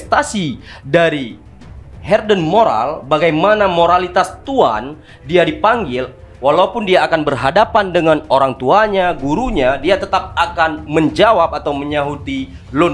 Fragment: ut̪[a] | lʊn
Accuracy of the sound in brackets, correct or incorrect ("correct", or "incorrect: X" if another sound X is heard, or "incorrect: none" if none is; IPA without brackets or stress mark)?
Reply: incorrect: i